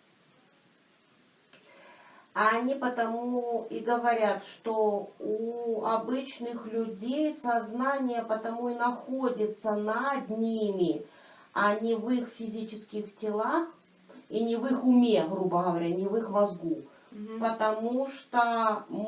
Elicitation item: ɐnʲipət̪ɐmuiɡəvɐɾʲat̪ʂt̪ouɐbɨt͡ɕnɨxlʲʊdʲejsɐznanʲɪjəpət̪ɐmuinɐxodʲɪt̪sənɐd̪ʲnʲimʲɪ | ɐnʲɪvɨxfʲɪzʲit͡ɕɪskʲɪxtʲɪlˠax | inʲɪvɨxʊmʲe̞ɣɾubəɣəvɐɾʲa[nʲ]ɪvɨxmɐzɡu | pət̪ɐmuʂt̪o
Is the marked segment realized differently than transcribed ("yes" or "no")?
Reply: no